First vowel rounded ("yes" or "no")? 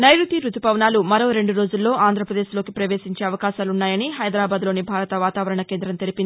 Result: no